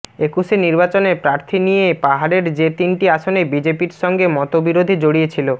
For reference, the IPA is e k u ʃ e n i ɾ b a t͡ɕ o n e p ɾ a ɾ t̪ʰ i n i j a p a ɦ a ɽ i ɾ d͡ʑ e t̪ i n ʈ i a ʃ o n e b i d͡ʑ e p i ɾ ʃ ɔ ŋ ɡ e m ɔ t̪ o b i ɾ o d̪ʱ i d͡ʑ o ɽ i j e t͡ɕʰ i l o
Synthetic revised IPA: e k u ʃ e n i ɾ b a t͡ɕ o n e p ɾ a ɾ t̪ʰ i n i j e p a ɦ a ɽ e ɾ d͡ʑ e t̪ i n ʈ i a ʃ o n e b i d͡ʑ e p i ɾ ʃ ɔ ŋ ɡ e m ɔ t̪ o b i ɾ o d̪ʱ i d͡ʑ o ɽ i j e t͡ɕʰ i l o